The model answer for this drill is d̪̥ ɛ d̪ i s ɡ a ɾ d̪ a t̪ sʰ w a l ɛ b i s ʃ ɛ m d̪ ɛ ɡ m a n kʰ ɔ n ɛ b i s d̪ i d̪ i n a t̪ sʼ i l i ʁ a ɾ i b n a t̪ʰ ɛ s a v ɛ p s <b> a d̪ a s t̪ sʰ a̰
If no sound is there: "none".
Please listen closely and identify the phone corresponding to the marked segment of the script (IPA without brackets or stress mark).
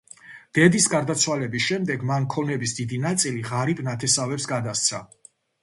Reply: ɡ